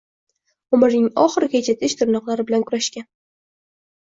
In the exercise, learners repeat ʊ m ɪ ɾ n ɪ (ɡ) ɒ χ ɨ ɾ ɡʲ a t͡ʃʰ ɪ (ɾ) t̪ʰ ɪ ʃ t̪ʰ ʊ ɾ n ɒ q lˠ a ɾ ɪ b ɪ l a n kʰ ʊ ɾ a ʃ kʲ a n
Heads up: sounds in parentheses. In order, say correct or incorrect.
incorrect: ŋ, incorrect: none

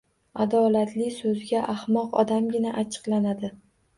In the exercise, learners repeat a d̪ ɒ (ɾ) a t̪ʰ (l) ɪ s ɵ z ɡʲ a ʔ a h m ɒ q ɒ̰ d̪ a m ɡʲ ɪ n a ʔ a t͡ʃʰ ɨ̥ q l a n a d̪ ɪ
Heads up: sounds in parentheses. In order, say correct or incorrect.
incorrect: l, correct

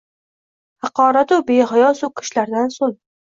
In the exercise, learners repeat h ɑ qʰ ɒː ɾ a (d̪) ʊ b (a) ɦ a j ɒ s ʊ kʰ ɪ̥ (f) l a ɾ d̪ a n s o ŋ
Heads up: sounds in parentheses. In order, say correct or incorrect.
incorrect: t̪, incorrect: e, incorrect: ʃ

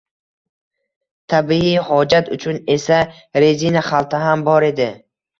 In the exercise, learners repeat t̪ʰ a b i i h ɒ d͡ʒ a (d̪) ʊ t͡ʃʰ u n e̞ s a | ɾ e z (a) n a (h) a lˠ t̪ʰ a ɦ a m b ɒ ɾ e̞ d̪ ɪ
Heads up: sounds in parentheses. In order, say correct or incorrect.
incorrect: t̪, incorrect: i, incorrect: χ

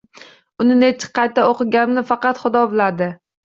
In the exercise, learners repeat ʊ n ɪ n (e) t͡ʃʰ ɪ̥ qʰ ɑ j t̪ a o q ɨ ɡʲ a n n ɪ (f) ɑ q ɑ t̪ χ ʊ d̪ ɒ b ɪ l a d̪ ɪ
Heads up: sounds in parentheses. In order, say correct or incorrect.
correct, correct

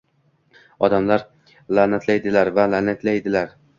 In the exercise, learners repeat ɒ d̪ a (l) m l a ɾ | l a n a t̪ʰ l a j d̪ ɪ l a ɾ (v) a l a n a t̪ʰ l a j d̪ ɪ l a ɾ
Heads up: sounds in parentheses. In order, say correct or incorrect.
incorrect: none, correct

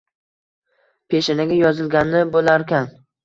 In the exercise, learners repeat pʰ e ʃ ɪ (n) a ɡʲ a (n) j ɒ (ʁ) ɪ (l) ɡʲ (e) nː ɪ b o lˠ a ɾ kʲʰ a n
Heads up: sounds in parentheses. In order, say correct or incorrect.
correct, incorrect: none, incorrect: z, correct, incorrect: a

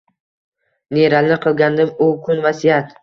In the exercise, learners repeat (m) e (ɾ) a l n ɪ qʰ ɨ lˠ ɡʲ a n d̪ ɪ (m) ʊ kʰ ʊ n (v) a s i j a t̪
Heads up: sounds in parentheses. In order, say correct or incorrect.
incorrect: n, correct, correct, correct

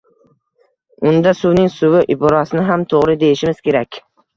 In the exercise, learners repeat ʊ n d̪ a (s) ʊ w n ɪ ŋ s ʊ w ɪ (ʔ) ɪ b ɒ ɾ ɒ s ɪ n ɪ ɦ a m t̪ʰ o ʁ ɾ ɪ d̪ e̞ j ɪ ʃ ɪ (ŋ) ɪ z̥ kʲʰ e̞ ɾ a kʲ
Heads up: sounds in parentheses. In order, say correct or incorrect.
correct, correct, incorrect: m

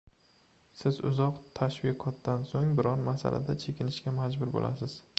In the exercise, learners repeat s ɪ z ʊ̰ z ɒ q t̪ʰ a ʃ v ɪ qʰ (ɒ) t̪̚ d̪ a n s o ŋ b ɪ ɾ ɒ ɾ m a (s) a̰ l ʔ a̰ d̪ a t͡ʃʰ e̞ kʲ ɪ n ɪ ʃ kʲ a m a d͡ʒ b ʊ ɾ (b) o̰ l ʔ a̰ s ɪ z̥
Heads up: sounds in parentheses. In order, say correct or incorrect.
correct, correct, correct

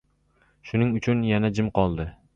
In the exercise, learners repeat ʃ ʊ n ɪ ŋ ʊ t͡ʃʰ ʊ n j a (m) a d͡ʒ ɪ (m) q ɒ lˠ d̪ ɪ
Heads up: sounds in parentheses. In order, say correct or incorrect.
incorrect: n, correct

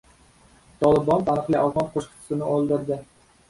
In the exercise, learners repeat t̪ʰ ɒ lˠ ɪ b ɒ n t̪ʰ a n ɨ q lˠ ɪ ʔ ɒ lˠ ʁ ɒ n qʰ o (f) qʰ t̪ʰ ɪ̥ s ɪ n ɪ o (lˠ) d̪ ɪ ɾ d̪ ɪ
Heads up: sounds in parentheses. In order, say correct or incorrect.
incorrect: ʃ, correct

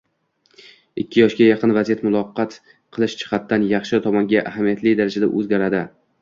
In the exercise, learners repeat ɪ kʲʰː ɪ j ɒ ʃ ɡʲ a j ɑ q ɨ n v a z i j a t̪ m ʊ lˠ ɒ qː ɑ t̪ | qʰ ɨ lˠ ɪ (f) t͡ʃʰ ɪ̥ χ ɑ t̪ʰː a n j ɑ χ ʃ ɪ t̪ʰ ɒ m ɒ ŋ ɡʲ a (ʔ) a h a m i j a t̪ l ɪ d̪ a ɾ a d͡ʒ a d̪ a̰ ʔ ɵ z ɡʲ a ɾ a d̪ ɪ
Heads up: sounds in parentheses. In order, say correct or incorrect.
incorrect: ʃ, correct

